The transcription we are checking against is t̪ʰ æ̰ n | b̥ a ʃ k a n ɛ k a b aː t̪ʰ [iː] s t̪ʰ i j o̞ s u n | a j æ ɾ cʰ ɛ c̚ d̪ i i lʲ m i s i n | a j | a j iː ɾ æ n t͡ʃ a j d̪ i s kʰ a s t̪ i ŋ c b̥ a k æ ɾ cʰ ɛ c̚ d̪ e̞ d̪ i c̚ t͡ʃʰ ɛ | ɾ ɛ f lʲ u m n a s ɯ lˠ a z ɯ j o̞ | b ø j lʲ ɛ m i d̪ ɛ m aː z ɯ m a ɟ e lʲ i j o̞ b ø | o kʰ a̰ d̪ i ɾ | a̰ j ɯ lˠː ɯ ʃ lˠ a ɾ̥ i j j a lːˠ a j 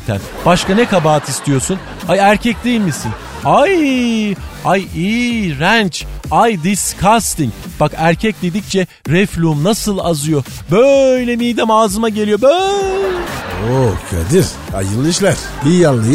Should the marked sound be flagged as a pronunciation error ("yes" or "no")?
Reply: yes